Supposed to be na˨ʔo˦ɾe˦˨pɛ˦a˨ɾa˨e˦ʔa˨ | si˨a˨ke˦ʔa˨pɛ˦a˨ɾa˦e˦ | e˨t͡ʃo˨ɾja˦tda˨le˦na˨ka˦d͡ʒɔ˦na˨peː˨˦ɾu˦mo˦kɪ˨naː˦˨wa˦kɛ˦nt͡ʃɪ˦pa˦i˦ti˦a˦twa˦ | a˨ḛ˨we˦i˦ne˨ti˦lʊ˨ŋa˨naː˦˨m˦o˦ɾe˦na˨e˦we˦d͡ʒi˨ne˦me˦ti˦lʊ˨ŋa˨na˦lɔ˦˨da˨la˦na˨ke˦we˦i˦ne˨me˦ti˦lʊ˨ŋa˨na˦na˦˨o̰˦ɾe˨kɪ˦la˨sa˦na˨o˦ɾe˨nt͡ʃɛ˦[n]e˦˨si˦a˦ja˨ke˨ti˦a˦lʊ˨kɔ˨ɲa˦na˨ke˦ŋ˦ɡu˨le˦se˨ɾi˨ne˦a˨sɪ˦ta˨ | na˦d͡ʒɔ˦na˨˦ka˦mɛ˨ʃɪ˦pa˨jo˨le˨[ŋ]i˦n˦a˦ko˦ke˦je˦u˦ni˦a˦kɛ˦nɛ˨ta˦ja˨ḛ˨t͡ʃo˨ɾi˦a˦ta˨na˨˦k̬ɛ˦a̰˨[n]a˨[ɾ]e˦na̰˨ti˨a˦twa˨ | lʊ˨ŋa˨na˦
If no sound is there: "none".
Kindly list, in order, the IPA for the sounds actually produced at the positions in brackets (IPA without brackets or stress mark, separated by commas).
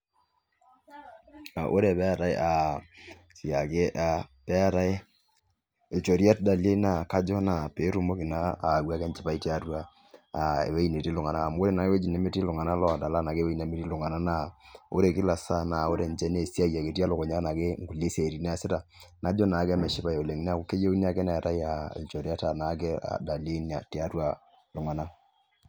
n, ŋ, d, l